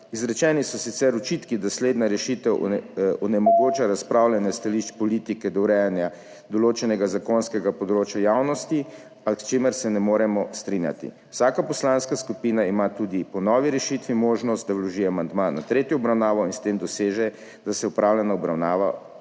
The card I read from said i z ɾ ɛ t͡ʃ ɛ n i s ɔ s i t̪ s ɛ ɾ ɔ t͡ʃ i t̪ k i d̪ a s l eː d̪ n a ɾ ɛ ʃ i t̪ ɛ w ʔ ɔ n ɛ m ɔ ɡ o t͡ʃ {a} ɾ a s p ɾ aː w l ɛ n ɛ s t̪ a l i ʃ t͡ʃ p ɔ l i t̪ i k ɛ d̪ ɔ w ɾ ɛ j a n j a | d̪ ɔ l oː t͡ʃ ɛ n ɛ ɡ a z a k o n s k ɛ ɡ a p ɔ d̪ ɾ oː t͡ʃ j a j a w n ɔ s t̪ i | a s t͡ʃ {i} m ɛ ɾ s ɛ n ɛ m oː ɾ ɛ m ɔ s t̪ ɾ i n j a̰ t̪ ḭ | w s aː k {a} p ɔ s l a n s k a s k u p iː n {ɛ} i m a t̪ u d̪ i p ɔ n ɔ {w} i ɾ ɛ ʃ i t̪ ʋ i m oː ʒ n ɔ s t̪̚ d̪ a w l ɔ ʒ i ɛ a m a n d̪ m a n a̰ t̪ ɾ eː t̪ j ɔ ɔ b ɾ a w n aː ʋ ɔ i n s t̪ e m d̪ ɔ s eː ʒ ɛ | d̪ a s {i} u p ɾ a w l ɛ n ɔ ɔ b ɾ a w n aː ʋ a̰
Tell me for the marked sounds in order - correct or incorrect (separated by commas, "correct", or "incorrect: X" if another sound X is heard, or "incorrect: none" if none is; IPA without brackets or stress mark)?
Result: correct, incorrect: e, correct, incorrect: a, incorrect: ʋ, incorrect: ɛ